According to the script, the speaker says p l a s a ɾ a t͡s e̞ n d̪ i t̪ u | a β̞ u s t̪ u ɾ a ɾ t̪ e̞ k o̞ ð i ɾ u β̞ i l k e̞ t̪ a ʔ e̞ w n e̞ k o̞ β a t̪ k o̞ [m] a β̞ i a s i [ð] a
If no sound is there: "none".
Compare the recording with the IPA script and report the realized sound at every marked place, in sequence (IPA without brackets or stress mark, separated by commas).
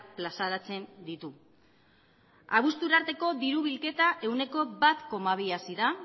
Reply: m, ð